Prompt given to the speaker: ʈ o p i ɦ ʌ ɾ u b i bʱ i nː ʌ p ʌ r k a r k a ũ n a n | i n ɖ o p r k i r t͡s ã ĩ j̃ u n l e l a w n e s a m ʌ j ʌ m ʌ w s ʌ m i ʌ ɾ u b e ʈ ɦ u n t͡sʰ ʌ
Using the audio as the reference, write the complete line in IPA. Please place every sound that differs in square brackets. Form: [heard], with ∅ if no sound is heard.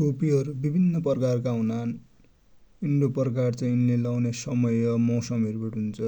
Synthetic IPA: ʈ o p i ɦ ʌ ɾ u b i bʱ i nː ʌ p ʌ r k a r k a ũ n a n | i n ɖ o p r k [a] r t͡s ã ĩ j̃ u n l e l a w n e s [ʌ] m ʌ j ʌ m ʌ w s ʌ m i ʌ ɾ u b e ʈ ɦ u n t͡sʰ ʌ